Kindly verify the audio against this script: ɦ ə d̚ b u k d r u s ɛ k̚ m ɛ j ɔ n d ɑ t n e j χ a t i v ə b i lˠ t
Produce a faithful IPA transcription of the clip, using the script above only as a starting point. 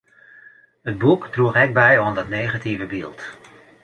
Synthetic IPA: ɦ ə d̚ b u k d r u χ ɛ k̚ b ɛ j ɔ n d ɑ t n e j χ a t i v ə b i lˠ t